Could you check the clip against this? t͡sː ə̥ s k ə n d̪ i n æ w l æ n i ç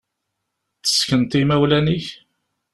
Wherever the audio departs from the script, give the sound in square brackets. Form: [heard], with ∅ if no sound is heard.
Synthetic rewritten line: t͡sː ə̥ s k ə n [t̪] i [m] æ w l æ n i ç